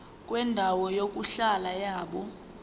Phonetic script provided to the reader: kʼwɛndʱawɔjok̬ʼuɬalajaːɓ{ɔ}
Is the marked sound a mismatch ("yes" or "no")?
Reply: no